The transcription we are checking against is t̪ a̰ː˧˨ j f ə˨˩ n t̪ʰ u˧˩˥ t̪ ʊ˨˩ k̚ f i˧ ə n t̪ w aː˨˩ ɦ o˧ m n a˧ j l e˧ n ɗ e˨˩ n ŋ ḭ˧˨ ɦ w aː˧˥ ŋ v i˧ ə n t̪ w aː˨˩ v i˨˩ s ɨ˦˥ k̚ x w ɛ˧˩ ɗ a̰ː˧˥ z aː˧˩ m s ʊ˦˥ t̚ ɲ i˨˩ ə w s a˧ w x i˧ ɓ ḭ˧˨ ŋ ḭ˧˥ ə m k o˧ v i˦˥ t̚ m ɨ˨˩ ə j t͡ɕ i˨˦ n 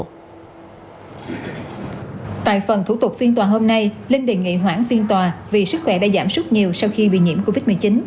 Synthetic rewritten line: t̪ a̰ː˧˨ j f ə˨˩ n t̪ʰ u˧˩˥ t̪ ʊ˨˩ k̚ f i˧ ə n t̪ w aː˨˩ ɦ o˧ m n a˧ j l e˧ n ɗ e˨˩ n ŋ ḭ˧˨ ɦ w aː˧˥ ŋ f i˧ ə n t̪ w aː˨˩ v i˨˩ s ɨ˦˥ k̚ x w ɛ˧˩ ɗ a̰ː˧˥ z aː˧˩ m s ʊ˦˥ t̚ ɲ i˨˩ ə w s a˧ w x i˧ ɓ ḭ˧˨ ɲ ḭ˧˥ ə m k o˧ v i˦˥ t̚ m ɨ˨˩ ə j t͡ɕ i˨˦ n